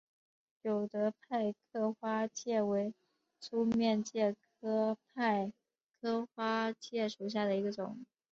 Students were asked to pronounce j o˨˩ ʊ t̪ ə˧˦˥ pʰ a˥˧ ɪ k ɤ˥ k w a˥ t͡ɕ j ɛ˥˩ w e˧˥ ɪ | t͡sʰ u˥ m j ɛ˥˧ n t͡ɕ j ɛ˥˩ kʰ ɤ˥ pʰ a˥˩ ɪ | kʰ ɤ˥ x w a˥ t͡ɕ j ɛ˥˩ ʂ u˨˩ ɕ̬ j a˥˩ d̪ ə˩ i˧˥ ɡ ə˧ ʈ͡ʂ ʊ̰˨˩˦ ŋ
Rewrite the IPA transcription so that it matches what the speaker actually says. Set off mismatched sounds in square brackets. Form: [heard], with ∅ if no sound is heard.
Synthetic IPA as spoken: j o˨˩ ʊ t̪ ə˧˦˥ pʰ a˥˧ ɪ [kʰ] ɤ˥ [x] w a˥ t͡ɕ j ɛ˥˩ w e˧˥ ɪ | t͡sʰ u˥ m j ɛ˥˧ n t͡ɕ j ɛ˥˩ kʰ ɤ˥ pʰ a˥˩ ɪ | kʰ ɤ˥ x w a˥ t͡ɕ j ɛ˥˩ ʂ u˨˩ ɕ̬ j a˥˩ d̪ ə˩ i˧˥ ɡ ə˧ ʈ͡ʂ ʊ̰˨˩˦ ŋ